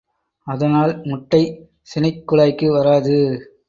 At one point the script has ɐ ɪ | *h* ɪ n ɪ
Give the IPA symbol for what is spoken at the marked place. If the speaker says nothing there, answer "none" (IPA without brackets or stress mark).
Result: s